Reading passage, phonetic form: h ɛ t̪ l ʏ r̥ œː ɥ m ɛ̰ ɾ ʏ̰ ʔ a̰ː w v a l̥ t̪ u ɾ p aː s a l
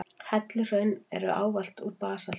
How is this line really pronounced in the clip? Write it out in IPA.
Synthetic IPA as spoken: h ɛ t̪ l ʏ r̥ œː ɥ n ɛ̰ ɾ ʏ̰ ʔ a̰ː w v a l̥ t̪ u ɾ p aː s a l